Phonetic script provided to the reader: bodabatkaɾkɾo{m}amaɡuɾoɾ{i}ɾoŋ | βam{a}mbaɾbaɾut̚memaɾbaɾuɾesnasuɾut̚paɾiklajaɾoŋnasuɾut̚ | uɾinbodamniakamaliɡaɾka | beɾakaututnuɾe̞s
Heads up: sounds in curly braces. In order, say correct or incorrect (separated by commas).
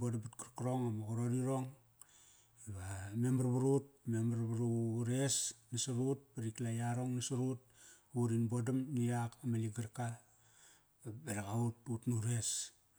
incorrect, correct, incorrect